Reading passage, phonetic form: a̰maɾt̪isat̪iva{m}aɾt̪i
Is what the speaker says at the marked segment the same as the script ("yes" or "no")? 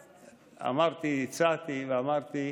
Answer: yes